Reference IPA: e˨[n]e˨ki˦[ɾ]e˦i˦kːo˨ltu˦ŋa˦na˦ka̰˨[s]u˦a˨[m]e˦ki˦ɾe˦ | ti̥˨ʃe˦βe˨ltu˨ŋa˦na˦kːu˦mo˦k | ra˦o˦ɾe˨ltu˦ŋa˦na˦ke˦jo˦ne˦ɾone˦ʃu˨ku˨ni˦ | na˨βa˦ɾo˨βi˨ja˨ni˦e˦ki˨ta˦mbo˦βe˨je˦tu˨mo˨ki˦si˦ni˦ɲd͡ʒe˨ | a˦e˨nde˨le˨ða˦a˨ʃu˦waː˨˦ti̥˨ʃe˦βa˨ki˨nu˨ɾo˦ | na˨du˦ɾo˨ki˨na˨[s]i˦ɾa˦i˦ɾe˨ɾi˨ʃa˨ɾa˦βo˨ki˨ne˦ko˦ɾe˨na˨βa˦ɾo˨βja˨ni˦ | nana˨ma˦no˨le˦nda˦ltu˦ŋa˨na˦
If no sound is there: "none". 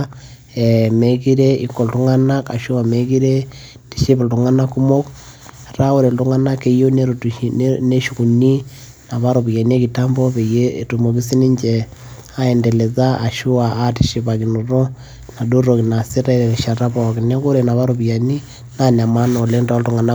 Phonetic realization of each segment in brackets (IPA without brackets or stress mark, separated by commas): m, ɾ, ʃ, m, s